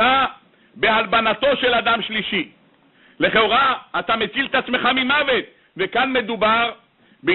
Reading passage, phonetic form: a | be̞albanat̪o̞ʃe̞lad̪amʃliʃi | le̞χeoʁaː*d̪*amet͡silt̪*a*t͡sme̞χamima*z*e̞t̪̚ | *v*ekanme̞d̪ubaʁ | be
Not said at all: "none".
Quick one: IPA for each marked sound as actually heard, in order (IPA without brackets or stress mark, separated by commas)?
t̪, a, v, v